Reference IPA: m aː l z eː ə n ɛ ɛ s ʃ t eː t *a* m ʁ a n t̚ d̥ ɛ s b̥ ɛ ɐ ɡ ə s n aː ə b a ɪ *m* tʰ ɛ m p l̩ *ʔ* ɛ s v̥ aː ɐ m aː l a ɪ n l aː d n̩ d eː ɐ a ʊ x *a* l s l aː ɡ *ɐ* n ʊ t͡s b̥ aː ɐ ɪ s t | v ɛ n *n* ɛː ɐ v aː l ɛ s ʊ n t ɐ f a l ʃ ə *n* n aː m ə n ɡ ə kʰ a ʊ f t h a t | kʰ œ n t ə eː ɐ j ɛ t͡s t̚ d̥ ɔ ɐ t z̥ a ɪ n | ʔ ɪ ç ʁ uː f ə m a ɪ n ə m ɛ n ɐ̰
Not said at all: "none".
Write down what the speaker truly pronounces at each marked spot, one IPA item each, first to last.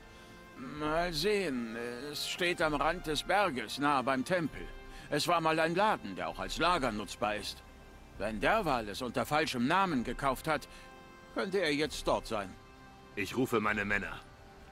a, m, ʔ, a, ɐ, d, m

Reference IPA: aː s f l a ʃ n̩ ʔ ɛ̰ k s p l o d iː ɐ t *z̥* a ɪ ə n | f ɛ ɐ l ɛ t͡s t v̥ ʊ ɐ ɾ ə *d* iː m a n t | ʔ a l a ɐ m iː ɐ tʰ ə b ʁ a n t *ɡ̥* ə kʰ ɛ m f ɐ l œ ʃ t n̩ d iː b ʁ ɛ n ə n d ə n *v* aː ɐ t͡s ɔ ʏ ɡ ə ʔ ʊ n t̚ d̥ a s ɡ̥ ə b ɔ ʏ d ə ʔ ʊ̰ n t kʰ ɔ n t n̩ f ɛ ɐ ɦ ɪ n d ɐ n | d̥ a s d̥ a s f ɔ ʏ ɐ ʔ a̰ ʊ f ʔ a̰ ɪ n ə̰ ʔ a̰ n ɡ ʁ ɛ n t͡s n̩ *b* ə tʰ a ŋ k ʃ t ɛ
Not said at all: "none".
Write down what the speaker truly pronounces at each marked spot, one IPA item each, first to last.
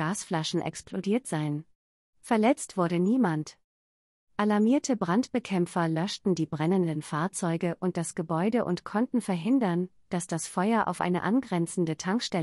z̥, n, b̥, f, d

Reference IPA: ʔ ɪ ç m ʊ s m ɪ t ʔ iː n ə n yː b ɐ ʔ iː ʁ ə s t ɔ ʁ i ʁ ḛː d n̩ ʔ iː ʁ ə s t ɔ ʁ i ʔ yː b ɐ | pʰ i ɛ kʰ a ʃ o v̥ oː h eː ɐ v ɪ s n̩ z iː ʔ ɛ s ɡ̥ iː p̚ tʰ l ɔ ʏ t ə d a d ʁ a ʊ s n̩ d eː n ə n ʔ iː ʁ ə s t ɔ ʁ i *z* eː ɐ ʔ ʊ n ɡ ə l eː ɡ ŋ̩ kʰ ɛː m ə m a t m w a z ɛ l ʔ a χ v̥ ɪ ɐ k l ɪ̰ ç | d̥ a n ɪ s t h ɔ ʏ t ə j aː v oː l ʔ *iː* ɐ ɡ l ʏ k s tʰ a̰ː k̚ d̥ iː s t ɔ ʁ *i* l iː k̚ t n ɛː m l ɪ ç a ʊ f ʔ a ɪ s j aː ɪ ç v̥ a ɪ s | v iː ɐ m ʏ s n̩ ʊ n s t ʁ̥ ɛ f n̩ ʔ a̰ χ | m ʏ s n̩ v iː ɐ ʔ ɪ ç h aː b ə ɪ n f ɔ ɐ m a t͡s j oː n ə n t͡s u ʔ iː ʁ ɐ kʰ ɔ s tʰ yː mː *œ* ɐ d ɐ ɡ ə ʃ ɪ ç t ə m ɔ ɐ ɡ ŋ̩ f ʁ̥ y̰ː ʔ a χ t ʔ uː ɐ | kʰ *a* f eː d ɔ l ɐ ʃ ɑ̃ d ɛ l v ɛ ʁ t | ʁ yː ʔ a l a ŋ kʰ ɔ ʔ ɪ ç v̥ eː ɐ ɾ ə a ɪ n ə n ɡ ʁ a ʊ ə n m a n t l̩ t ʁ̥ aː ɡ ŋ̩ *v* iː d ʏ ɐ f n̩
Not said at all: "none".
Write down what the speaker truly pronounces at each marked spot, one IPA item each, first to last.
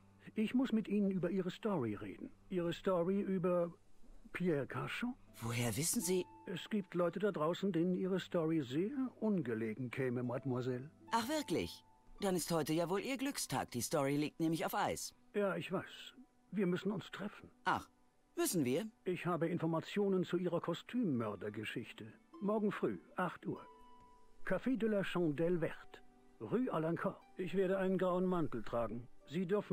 z, iː, i, œ, a, z

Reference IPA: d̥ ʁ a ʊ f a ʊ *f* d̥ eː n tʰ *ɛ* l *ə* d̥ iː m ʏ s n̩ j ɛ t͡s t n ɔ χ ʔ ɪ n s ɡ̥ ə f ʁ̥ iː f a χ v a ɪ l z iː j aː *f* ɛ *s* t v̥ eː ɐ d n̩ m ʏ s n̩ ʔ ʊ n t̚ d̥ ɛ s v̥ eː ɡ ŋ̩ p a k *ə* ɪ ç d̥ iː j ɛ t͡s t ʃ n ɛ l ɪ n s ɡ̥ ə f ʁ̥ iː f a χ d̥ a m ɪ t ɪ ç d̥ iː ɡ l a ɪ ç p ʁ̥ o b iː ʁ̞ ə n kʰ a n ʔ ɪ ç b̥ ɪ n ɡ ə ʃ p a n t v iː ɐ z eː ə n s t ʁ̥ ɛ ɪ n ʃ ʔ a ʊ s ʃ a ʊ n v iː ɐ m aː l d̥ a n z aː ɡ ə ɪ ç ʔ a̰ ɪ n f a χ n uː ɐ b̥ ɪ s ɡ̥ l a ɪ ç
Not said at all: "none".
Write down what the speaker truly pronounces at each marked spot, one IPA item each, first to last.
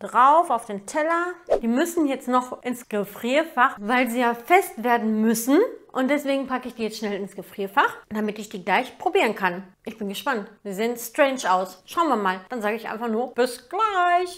f, ɛ, ɐ, f, s, ə

